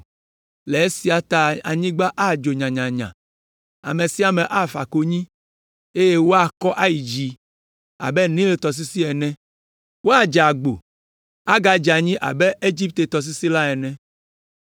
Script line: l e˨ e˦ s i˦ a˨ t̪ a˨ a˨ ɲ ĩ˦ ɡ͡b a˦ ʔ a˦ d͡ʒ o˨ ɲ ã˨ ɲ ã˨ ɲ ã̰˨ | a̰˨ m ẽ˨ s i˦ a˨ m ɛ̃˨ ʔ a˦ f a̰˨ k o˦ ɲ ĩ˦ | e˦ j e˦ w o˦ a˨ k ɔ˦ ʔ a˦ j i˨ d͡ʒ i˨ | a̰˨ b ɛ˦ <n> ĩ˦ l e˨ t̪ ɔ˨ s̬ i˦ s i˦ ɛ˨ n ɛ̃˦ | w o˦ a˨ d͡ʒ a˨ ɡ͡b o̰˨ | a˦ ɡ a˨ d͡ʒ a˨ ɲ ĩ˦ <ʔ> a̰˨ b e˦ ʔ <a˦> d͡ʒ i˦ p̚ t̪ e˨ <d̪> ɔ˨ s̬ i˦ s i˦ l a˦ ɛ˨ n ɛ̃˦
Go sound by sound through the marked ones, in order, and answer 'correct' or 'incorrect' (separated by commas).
correct, correct, incorrect, incorrect